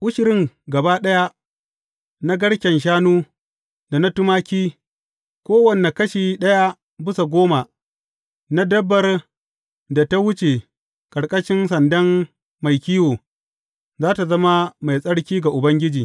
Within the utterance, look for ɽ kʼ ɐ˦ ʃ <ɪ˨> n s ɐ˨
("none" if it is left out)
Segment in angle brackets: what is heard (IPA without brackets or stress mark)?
ɪ˦